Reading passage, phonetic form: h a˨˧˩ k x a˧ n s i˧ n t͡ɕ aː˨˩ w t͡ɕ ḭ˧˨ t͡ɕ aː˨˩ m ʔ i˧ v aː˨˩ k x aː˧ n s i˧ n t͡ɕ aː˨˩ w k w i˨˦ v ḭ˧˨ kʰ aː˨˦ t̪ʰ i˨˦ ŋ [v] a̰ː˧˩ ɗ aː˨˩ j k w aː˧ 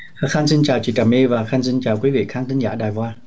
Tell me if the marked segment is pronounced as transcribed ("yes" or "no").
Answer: no